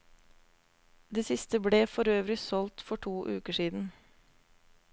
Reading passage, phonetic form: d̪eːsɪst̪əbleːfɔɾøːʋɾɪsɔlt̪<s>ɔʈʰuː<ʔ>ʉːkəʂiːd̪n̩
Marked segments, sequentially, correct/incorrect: incorrect: f, correct

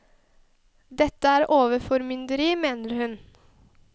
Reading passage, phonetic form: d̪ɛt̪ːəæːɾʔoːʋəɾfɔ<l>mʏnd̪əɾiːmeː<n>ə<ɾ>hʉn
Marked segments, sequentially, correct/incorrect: incorrect: ɾ, correct, correct

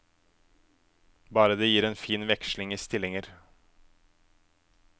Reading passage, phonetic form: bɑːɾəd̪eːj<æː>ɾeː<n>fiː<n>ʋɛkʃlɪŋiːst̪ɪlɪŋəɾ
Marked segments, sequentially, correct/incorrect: incorrect: iː, correct, correct

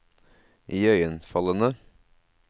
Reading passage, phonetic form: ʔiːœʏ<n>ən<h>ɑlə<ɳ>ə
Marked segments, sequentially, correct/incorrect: incorrect: none, incorrect: f, incorrect: n

